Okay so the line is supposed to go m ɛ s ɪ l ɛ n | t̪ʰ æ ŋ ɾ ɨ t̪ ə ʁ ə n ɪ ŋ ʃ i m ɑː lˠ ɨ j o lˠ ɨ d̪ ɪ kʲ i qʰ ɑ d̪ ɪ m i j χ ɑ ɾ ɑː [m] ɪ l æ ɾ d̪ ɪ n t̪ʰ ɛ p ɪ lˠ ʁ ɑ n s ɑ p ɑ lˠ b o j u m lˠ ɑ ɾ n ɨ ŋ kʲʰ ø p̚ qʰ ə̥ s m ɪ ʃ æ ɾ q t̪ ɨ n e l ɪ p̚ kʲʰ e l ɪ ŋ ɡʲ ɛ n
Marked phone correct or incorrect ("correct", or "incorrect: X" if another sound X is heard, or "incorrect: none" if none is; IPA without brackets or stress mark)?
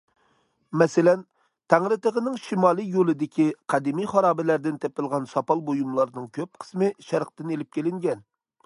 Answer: incorrect: b